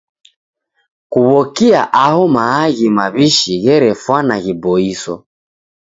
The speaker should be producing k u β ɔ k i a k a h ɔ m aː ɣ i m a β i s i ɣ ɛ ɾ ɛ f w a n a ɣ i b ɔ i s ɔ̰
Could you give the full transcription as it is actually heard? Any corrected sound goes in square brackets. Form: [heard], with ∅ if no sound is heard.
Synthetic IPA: k u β ɔ k i a [ʔ] a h ɔ m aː ɣ i m a β i [ʃ] i ɣ ɛ ɾ ɛ f w a n a ɣ i b ɔ i s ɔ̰